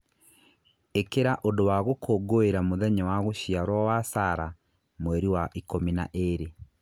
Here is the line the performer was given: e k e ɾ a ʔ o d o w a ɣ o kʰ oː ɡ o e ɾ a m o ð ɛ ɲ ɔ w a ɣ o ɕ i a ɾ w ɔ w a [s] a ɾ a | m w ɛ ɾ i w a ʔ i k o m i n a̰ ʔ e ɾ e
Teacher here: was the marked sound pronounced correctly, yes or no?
yes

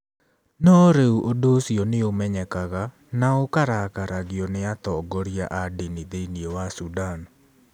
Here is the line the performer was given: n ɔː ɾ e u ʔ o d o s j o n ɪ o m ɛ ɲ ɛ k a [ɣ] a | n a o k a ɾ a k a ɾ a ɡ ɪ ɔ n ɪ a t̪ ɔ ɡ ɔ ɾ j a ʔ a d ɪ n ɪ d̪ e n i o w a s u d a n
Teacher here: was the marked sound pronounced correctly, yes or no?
yes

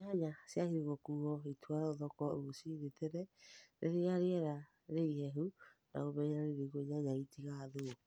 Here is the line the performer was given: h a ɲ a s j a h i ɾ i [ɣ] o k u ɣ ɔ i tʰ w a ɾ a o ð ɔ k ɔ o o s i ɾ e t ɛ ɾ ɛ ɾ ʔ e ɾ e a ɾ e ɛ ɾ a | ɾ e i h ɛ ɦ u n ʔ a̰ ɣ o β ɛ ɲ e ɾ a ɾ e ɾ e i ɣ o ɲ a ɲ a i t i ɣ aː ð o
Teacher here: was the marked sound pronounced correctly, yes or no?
yes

